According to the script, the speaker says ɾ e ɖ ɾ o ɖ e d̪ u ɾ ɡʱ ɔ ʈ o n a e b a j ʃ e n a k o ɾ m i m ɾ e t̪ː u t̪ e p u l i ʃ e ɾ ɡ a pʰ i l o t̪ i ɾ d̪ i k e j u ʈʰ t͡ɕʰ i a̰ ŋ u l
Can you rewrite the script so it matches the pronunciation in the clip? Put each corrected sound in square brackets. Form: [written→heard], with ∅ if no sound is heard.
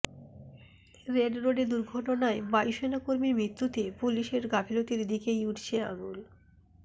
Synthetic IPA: ɾ e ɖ ɾ o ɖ e d̪ u ɾ ɡʱ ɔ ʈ o n a e b a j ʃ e n a k o ɾ m i m ɾ [e→i] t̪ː u t̪ e p u l i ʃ e ɾ ɡ a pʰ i l o t̪ i ɾ d̪ i k e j u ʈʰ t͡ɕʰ [i→e] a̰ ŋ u l